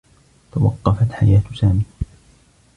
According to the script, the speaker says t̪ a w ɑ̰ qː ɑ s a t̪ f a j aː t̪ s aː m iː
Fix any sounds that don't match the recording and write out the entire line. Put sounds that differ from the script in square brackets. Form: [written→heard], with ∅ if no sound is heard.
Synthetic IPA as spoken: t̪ a w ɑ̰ qː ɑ [s→f] a t̪ [f→ħ] a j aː t̪ s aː m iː